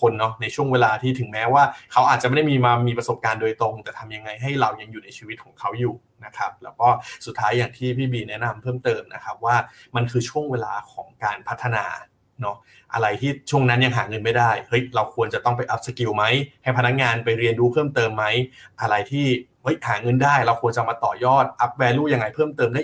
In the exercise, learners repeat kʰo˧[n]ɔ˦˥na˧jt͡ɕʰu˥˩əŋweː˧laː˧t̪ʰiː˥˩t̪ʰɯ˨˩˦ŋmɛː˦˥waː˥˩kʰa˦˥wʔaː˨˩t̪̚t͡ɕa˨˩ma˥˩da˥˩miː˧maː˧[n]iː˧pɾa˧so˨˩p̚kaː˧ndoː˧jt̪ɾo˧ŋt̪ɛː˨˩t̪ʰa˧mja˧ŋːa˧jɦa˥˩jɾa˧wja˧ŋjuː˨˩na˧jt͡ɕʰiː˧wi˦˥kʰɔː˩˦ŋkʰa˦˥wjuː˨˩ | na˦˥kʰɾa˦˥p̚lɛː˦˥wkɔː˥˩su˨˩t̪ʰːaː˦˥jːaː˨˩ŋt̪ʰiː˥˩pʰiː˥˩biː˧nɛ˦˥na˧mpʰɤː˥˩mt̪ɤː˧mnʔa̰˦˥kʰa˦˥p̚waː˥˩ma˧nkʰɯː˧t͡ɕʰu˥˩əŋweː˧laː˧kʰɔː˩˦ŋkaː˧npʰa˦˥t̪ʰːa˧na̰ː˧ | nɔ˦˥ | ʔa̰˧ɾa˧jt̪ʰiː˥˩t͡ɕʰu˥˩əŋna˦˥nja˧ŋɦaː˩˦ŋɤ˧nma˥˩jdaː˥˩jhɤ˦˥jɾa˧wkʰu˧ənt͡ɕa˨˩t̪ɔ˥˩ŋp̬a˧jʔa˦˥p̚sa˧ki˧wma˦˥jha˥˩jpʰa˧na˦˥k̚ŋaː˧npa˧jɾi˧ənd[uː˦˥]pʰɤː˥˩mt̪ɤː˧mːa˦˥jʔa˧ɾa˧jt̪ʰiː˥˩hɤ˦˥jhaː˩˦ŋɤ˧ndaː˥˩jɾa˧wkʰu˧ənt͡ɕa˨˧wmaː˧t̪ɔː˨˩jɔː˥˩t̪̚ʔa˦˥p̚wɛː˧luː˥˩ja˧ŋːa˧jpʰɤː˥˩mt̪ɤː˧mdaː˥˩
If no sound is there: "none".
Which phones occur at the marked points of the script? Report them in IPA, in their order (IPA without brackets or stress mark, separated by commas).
nː, m, uː˦˥